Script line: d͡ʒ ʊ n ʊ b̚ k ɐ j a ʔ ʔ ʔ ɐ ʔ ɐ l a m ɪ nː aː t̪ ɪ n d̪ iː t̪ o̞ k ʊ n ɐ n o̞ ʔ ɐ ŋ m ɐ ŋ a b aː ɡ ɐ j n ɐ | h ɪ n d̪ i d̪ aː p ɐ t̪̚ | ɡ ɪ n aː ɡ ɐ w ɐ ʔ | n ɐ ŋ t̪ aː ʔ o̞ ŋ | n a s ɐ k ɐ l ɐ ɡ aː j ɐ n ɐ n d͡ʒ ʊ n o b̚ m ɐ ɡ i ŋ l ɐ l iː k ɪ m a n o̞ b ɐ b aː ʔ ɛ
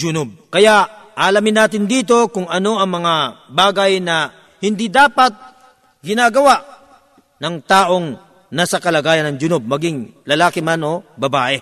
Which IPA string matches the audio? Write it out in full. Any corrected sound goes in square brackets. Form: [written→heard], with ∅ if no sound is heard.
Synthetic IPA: d͡ʒ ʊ n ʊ b̚ k ɐ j a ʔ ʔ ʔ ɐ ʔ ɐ l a m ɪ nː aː t̪ ɪ n d̪ iː t̪ o̞ k ʊ [n→ŋ] ɐ n o̞ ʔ ɐ ŋ m ɐ ŋ a b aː ɡ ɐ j n ɐ | h ɪ n d̪ i d̪ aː p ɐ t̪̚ | ɡ ɪ n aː ɡ ɐ w [ɐ→a] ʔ | n ɐ ŋ t̪ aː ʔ o̞ ŋ | n a s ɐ k ɐ l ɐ ɡ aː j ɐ n ɐ [n→ŋ] d͡ʒ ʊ n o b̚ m ɐ ɡ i ŋ l ɐ l [iː→aː] k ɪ m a n o̞ b ɐ b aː ʔ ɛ